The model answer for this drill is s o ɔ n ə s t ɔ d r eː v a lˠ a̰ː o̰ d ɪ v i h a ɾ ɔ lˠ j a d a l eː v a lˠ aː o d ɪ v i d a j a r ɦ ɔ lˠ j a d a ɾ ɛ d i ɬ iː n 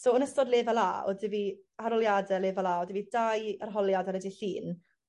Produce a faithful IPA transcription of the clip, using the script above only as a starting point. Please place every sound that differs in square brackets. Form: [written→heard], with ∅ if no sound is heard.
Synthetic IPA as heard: s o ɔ n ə s t ɔ d [r→l] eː v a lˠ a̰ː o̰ d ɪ v i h a ɾ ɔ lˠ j a d [a→ɛ] l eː v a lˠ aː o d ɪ v i d a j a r ɦ ɔ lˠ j a d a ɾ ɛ d i ɬ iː n